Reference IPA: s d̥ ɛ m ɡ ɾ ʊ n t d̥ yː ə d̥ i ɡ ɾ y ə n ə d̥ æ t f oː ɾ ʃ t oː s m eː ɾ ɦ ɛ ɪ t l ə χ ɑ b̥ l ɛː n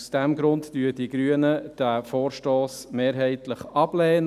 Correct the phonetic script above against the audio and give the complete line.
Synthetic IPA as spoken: s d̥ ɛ m ɡ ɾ ʊ n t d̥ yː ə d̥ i ɡ ɾ y ə n ə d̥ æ f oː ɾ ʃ t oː s m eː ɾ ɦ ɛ ɪ t l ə χ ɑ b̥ l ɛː n